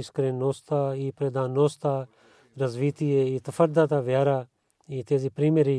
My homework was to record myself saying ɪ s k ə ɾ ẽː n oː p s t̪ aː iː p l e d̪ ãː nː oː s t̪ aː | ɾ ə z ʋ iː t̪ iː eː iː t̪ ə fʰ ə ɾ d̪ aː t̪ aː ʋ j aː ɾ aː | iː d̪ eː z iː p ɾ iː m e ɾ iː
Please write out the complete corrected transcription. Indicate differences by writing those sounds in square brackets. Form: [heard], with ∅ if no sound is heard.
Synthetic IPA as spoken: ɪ s k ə ɾ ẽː n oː [∅] s t̪ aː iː p [ɾ] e d̪ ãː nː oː s t̪ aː | ɾ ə z ʋ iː t̪ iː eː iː t̪ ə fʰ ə ɾ d̪ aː t̪ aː ʋ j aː ɾ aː | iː [t̪] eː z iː p ɾ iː m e ɾ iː